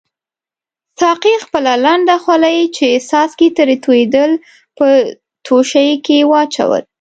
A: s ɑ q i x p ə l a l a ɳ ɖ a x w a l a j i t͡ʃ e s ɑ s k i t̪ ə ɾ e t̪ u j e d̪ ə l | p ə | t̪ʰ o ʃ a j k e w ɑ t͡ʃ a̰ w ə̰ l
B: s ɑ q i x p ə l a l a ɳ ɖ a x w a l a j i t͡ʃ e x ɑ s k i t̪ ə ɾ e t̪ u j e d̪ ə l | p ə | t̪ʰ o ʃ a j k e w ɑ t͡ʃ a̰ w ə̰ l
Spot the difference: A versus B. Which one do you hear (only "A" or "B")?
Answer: A